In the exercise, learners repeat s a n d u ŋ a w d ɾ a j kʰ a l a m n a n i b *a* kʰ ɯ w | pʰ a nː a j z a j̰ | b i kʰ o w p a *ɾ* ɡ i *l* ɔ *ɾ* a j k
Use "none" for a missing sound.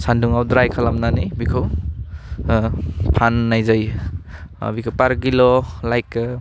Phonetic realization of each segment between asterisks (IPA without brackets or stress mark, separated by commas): i, ɾ, l, l